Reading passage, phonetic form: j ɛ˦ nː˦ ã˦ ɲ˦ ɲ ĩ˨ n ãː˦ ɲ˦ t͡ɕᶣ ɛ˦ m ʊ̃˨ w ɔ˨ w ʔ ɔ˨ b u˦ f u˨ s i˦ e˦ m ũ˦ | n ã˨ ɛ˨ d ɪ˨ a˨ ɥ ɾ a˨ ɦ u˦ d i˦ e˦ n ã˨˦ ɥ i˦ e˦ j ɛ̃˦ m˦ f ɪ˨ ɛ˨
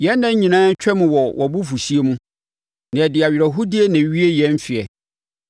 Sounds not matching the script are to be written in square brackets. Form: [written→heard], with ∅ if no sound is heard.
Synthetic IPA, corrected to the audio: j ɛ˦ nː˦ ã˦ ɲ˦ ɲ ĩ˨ n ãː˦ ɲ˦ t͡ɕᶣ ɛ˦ m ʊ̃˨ w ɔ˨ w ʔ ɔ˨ b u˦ f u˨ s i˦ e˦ m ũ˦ | n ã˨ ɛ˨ d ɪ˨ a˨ ɥ ɾ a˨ ɦ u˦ d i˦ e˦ n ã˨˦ ɥ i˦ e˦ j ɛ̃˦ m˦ f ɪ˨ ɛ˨